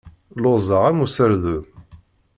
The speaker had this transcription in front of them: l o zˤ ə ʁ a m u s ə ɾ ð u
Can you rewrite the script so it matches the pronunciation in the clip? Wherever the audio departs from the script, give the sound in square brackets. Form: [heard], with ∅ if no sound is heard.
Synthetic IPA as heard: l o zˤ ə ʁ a m u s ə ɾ ð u